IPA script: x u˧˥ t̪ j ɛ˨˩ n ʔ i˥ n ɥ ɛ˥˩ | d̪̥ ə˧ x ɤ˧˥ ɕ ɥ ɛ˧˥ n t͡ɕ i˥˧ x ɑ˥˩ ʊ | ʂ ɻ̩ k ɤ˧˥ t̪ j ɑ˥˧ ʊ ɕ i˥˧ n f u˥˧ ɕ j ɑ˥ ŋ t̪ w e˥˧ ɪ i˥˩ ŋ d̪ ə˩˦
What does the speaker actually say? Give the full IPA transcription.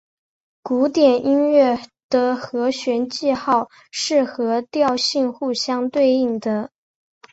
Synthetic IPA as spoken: k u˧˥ t̪ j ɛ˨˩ n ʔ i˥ n ɥ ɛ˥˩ | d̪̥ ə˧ x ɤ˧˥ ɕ ɥ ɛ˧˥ n t͡ɕ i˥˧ x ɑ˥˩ ʊ | ʂ ɻ̩ x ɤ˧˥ t̪ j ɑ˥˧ ʊ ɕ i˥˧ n x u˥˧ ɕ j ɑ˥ ŋ t̪ w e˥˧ ɪ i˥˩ ŋ d̪ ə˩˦

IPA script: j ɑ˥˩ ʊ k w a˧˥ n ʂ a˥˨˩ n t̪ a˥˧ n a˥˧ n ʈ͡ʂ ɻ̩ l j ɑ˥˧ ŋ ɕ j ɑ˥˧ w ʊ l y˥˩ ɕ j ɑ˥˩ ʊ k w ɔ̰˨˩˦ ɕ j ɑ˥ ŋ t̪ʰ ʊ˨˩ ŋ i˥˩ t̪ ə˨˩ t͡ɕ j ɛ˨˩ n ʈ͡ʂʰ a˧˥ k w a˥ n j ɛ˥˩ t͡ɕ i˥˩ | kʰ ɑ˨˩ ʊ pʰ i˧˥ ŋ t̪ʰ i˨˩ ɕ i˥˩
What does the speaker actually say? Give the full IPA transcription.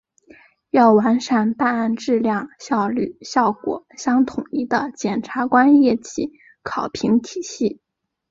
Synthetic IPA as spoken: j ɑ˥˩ ʊ w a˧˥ n ʂ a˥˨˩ n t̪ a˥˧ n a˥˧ n ʈ͡ʂ ɻ̩ l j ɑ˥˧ ŋ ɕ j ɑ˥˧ ʊ l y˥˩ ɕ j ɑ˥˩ ʊ k w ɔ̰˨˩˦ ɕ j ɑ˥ ŋ t̪ʰ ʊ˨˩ ŋ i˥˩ d̪ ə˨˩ t͡ɕ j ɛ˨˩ n ʈ͡ʂʰ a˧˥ k w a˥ n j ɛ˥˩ t͡ɕ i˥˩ | kʰ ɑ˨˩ ʊ pʰ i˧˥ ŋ t̪ʰ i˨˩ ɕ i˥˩

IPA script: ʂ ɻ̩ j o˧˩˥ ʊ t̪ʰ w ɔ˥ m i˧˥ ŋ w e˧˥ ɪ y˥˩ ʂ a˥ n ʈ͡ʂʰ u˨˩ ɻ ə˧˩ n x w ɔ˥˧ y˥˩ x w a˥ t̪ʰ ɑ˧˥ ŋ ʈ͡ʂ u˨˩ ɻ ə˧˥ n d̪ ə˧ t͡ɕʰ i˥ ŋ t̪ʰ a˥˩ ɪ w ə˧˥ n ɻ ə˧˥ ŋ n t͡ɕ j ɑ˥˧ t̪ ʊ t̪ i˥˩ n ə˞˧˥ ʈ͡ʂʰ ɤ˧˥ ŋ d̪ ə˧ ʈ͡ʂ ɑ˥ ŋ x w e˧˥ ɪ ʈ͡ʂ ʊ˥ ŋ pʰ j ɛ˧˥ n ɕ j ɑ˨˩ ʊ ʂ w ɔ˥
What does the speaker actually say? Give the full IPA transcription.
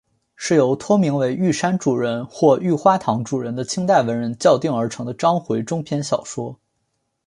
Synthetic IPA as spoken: ʂ ɻ̩ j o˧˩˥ ʊ t̪ʰ w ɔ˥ m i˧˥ ŋ w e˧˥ ɪ y˥˩ ʂ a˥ n ʈ͡ʂ u˨˩ ɻ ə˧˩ n x w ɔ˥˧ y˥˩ x w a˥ t̪ʰ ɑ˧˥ ŋ ʈ͡ʂ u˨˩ ɻ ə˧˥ n d̪ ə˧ t͡ɕʰ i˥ ŋ t̪ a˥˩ ɪ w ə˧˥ n ɻ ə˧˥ n t͡ɕ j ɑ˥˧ ʊ t̪ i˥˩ ŋ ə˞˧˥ ʈ͡ʂʰ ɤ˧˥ ŋ d̪ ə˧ ʈ͡ʂ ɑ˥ ŋ x w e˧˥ ɪ ʈ͡ʂ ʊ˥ ŋ pʰ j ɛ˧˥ n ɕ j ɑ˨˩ ʊ ʂ w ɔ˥

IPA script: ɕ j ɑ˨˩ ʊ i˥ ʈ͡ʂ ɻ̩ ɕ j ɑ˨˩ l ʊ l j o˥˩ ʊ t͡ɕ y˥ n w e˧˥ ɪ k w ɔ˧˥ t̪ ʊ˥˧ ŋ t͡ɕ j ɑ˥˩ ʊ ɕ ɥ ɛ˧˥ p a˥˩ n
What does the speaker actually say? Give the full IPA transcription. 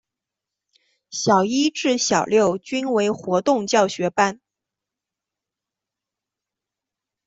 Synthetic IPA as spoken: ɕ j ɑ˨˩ ʊ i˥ ʈ͡ʂ ɻ̩ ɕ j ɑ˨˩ ʊ l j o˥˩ ʊ t͡ɕ y˥ n w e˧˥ ɪ x w ɔ˧˥ t̪ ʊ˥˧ ŋ t͡ɕ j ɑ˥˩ ʊ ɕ ɥ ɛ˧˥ p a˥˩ n

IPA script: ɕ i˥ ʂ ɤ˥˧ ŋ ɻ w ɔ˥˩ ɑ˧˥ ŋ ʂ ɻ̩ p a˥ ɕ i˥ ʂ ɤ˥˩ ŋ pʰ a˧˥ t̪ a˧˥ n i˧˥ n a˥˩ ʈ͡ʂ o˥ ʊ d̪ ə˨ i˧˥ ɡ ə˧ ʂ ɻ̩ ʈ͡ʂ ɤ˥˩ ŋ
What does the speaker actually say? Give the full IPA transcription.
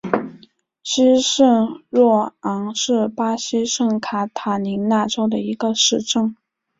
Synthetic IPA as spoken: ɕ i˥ ʂ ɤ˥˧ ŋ ɻ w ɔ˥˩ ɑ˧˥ ŋ ʂ ɻ̩ p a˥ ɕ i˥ ʂ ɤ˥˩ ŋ kʰ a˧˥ t̪ʰ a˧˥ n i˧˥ n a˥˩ ʈ͡ʂ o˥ ʊ d̪ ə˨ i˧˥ ɡ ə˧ ʂ ɻ̩ ʈ͡ʂ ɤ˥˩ ŋ

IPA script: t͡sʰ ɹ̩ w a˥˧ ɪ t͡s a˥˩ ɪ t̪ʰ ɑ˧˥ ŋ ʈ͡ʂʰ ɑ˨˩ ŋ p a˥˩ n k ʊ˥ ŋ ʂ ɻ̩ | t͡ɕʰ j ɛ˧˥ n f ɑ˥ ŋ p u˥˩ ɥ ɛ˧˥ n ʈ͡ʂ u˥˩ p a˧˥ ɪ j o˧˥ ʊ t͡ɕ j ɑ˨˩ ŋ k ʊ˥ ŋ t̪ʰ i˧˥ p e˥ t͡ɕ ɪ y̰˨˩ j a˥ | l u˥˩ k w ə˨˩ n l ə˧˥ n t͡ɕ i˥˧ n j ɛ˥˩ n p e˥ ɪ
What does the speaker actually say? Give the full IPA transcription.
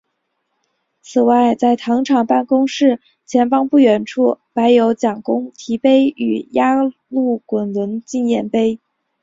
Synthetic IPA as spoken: t͡sʰ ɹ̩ w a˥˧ ɪ t͡s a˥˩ ɪ t̪ʰ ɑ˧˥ ŋ ʈ͡ʂʰ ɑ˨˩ ŋ p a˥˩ n k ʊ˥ ŋ ʂ ɻ̩ | t͡ɕʰ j ɛ˧˥ n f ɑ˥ ŋ p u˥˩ ɥ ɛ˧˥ n ʈ͡ʂʰ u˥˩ p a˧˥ ɪ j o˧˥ ʊ t͡ɕ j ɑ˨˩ ŋ k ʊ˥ ŋ t̪ʰ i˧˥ p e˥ ɪ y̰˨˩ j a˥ | l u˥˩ k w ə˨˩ n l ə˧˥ n t͡ɕ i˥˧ n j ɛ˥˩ n p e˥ ɪ

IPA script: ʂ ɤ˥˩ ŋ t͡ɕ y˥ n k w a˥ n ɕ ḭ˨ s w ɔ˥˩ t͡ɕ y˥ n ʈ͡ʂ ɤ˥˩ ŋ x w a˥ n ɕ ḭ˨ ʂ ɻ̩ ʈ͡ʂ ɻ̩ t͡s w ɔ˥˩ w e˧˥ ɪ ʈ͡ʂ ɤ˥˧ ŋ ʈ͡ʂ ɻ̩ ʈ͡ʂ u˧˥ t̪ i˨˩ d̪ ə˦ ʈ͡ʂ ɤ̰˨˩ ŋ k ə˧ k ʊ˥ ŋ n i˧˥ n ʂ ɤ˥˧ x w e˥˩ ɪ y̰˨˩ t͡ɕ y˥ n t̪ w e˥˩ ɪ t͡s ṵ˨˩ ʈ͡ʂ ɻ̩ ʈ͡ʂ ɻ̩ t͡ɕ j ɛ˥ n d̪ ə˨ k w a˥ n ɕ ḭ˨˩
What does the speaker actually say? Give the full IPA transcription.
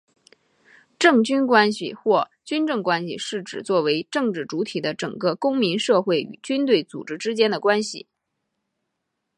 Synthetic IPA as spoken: ʈ͡ʂ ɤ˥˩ ŋ t͡ɕ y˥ n k w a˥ n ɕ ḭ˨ x w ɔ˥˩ t͡ɕ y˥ n ʈ͡ʂ ɤ˥˩ ŋ k w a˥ n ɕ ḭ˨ ʂ ɻ̩ ʈ͡ʂ ɻ̩ t͡s w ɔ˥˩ w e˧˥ ɪ ʈ͡ʂ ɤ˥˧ ŋ ʈ͡ʂ ɻ̩ ʈ͡ʂ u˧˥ t̪ʰ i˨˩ d̪ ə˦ ʈ͡ʂ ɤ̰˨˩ ŋ k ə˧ k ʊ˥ ŋ m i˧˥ n ʂ ɤ˥˧ x w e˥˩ ɪ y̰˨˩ t͡ɕ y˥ n t̪ w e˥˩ ɪ t͡s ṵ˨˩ ʈ͡ʂ ɻ̩ ʈ͡ʂ ɻ̩ t͡ɕ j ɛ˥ n d̪ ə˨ k w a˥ n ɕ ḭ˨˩

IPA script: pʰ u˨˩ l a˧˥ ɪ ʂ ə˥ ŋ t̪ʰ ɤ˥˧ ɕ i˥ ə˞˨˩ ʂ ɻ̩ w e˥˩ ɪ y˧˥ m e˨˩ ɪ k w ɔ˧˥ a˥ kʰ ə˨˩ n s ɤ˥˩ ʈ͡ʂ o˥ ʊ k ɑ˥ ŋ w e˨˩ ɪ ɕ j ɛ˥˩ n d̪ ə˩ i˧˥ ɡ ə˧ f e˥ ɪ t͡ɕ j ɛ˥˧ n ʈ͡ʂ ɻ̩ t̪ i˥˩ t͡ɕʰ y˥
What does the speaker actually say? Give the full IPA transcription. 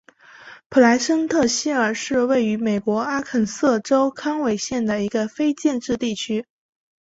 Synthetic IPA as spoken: pʰ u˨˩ l a˧˥ ɪ ʂ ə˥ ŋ t̪ʰ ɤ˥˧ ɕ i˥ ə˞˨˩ ʂ ɻ̩ w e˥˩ ɪ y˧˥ m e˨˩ ɪ k w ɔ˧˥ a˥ kʰ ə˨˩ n s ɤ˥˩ ʈ͡ʂ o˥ ʊ kʰ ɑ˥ ŋ w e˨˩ ɪ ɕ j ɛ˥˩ n d̪ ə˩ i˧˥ ɡ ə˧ f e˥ ɪ t͡ɕ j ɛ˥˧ n ʈ͡ʂ ɻ̩ t̪ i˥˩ t͡ɕʰ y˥

